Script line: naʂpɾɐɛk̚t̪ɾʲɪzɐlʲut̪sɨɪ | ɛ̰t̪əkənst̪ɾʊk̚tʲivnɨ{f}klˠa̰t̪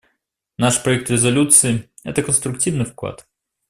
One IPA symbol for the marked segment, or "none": f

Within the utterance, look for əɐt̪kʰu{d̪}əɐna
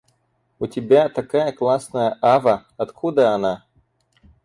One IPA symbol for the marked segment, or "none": d̪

